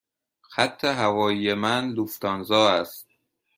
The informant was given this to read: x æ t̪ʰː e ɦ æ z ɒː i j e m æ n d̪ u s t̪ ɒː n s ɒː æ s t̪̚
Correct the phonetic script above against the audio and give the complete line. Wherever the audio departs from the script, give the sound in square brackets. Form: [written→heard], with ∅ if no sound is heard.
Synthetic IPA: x æ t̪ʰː e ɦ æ [z→v] ɒː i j e m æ n d̪ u [s→f] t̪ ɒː n [s→z] ɒː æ s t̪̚